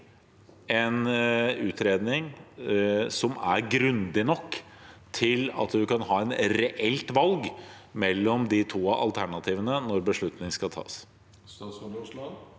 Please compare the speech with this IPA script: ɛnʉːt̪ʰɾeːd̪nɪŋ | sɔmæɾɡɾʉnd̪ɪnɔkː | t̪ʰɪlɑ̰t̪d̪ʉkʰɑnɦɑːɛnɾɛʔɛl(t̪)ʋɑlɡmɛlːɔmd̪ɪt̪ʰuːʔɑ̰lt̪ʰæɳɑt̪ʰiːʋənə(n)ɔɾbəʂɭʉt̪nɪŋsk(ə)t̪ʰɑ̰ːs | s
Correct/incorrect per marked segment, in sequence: correct, correct, incorrect

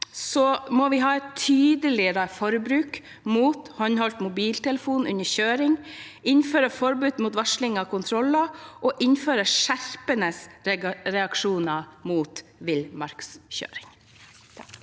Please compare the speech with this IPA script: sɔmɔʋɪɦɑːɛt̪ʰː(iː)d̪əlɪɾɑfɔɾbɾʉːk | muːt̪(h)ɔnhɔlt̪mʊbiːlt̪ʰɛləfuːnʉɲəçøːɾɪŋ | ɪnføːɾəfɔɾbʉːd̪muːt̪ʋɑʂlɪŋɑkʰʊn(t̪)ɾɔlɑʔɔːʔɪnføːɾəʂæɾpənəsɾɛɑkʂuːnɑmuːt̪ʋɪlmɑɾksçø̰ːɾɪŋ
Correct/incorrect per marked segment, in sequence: incorrect, correct, incorrect

